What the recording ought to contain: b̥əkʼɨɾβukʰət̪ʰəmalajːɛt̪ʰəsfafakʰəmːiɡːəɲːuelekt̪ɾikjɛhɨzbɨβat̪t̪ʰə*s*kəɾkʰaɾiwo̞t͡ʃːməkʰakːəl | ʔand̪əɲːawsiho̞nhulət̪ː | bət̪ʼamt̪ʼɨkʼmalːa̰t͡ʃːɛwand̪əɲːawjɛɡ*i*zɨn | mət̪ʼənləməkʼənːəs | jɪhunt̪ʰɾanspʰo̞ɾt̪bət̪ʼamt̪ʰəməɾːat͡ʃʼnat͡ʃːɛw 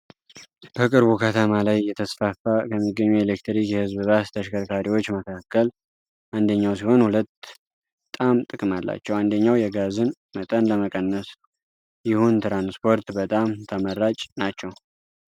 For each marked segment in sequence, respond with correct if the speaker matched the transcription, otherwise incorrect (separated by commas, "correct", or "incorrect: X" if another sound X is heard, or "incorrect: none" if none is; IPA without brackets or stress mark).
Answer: incorrect: ʃ, incorrect: a